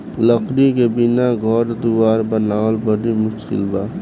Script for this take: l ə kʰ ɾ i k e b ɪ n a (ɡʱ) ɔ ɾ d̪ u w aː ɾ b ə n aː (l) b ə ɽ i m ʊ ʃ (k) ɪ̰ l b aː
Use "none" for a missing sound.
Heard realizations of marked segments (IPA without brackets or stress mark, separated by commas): ɡʱ, l, k